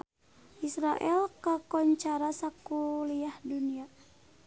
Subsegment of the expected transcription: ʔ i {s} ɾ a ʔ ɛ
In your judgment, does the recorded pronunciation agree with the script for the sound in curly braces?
yes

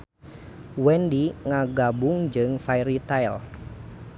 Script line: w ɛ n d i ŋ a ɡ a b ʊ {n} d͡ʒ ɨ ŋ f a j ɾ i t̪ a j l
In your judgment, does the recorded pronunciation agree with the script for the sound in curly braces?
no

